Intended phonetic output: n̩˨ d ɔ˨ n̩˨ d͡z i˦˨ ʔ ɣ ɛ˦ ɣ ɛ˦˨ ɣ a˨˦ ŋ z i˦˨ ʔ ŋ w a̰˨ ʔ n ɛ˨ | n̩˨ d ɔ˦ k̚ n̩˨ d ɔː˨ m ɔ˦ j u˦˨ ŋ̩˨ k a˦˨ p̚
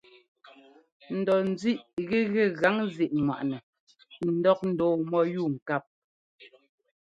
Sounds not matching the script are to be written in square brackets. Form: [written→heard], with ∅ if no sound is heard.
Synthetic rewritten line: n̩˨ d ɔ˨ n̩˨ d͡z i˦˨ ʔ ɣ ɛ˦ ɣ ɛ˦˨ ɣ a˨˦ ŋ z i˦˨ ʔ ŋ w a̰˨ ʔ n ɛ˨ | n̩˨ d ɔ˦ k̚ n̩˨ d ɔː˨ m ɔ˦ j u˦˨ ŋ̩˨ k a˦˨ p̚